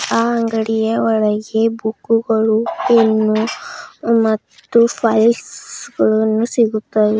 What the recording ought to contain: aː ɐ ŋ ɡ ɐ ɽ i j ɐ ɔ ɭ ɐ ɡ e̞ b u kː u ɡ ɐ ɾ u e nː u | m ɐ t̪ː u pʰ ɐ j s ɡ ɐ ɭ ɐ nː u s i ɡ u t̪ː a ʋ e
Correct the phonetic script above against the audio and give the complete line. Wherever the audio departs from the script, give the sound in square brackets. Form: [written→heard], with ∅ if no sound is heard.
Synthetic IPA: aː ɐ ŋ ɡ ɐ ɽ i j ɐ ɔ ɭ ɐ ɡ e̞ b u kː u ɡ ɐ [ɾ→ɭ] u e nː u | m ɐ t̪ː u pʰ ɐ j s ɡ ɐ ɭ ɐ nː u s i ɡ u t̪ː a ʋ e

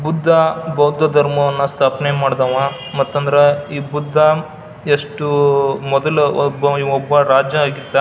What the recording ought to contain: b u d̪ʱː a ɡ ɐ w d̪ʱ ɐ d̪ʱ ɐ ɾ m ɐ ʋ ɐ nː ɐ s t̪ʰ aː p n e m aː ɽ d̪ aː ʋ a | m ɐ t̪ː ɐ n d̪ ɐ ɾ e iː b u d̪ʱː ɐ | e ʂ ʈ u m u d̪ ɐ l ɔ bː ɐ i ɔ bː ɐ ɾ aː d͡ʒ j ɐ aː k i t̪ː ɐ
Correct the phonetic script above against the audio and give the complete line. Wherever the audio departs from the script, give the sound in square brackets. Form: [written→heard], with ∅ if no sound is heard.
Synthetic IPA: b u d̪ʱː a [ɡ→b] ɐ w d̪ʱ ɐ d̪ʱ ɐ ɾ m ɐ ʋ ɐ nː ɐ s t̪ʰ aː p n e m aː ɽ d̪ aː ʋ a | m ɐ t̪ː ɐ n d̪ ɐ ɾ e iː b u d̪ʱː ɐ | e ʂ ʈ u m [u→ɔ] d̪ ɐ l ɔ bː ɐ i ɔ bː ɐ ɾ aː d͡ʒ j ɐ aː [k→ɡ] i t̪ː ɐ

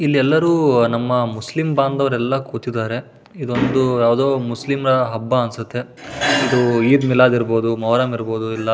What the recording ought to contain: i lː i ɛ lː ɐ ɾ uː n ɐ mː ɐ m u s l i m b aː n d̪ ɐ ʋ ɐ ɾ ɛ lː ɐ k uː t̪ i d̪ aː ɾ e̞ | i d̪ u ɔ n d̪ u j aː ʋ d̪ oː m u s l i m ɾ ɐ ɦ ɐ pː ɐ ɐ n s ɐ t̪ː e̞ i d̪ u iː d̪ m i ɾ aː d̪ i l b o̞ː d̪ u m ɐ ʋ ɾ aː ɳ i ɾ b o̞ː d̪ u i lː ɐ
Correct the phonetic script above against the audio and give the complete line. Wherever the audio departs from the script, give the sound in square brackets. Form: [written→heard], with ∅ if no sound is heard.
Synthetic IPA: i lː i ɛ lː ɐ ɾ uː n ɐ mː ɐ m u s l i m b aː n d̪ ɐ ʋ ɐ ɾ ɛ lː ɐ k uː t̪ i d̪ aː ɾ e̞ | i d̪ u [ɔ→o] n d̪ u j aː ʋ d̪ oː m u s l i m ɾ ɐ ɦ ɐ [pː→bː] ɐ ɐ n s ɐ t̪ː e̞ i d̪ u iː d̪ m i [ɾ→l] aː d̪ i [l→ɾ] b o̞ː d̪ u m ɐ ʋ ɾ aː [ɳ→m] i ɾ b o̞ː d̪ u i lː ɐ

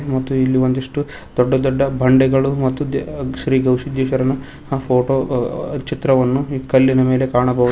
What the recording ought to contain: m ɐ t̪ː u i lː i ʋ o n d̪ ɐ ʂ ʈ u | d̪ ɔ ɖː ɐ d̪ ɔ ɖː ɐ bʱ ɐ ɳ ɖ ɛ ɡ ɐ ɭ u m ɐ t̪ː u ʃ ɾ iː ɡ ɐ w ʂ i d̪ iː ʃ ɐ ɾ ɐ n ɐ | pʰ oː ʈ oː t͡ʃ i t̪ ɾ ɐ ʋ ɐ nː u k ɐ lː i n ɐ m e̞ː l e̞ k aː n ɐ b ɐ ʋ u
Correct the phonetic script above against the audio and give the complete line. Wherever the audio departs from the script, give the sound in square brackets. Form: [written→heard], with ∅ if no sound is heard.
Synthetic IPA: m ɐ t̪ː u i lː i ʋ o n d̪ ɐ ʂ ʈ u | d̪ ɔ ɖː ɐ d̪ ɔ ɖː ɐ bʱ ɐ ɳ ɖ ɛ ɡ ɐ ɭ u m ɐ t̪ː u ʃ ɾ iː ɡ ɐ w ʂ i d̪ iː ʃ ɐ ɾ ɐ n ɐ | pʰ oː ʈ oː t͡ʃ i t̪ ɾ ɐ ʋ ɐ nː u k ɐ lː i n ɐ m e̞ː l e̞ k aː [n→ɳ] ɐ b ɐ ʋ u

